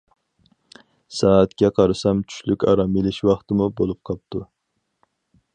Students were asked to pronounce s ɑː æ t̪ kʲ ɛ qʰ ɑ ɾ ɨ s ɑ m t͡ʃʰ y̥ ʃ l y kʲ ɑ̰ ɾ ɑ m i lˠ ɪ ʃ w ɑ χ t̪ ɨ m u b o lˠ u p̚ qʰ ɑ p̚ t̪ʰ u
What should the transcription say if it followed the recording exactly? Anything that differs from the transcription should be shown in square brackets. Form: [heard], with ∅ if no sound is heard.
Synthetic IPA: s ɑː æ t̪ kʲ ɛ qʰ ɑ ɾ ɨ s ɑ m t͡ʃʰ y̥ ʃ l y kʲ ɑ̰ ɾ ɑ m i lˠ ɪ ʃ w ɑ χ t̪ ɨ m u b o lˠ u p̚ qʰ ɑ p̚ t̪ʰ u